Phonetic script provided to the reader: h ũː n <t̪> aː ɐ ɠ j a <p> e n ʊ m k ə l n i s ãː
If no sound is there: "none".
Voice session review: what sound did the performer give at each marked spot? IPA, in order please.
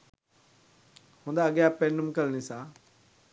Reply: d̪, p

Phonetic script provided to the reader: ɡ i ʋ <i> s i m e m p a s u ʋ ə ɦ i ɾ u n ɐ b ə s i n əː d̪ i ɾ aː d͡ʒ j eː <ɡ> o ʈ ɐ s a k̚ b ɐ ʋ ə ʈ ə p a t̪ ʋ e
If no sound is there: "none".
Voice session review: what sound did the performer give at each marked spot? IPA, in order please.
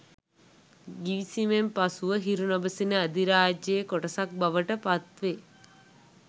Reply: i, k

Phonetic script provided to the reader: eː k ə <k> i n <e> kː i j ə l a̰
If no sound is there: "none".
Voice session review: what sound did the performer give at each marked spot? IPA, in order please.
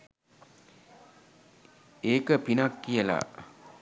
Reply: p, a

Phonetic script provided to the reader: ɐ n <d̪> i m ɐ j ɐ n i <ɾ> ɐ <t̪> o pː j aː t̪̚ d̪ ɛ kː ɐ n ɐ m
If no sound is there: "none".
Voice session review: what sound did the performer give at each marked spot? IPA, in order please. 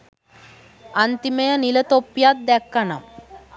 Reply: t̪, l, t̪

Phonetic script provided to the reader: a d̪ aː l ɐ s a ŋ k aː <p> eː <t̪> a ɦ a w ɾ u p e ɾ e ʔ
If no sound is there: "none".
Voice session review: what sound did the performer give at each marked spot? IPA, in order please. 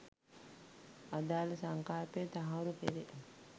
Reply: p, t̪

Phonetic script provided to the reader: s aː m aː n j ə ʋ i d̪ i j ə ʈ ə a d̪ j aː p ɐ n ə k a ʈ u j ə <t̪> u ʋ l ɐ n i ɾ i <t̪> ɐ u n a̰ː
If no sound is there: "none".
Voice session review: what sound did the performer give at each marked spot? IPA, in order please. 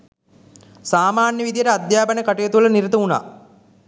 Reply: t̪, t̪

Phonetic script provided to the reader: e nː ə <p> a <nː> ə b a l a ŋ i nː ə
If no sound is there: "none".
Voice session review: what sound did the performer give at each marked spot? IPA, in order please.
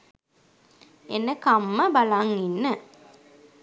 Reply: k, mː

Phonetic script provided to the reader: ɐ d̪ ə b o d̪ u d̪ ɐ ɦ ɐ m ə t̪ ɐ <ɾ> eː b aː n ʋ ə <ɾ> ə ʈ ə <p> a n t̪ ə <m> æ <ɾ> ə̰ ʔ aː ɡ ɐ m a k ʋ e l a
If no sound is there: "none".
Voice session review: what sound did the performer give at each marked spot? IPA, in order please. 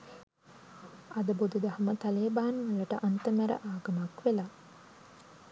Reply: l, l, ʔ, m, ɾ

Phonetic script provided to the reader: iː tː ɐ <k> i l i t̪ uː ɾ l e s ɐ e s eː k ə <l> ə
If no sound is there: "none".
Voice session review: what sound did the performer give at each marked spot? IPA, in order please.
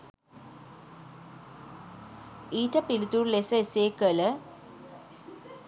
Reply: p, l

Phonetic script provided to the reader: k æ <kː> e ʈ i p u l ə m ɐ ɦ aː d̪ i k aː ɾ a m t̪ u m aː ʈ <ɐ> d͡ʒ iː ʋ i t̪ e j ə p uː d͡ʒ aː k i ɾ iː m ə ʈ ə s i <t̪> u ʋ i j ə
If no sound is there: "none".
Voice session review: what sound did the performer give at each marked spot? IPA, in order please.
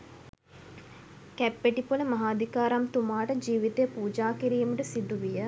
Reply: pː, ə, d̪

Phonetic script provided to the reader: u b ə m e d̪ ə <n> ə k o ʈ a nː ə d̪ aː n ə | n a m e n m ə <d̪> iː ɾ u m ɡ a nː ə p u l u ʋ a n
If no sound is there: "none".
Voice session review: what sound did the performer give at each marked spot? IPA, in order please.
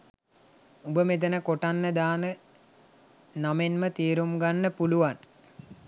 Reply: n, t̪

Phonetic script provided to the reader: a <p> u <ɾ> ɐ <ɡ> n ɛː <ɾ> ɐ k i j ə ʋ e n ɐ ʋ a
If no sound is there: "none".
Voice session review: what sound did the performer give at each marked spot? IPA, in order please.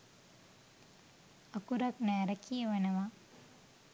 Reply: k, ɾ, k, ɾ

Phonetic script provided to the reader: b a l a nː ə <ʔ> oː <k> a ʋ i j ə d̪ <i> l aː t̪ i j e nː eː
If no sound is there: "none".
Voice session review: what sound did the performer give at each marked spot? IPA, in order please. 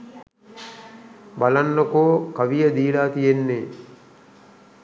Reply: k, k, iː

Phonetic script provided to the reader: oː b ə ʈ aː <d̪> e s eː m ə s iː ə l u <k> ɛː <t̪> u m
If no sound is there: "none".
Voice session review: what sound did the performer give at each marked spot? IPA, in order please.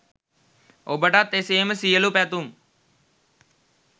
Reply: t̪, p, t̪

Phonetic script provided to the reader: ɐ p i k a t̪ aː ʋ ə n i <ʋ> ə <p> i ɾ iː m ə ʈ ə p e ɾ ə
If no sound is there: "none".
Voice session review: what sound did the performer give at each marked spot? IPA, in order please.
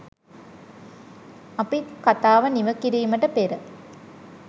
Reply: ʋ, k

